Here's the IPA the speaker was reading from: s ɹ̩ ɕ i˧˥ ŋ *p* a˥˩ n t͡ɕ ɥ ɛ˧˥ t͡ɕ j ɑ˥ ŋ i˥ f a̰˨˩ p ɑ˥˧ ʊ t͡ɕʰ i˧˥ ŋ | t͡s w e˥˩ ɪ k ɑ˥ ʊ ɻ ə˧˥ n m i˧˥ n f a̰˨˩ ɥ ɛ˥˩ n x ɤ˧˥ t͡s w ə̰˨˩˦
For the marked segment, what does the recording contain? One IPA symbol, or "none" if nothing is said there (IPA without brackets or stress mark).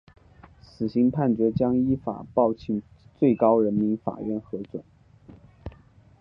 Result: pʰ